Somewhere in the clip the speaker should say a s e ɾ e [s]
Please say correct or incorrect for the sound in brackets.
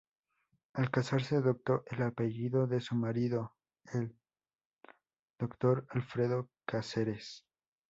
correct